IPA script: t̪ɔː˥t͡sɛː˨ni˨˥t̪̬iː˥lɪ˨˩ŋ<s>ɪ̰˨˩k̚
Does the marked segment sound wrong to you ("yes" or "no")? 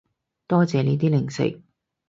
no